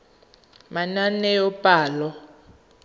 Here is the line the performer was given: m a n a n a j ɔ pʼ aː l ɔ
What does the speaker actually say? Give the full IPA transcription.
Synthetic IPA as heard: m a n a n ɛ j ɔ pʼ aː l ɔ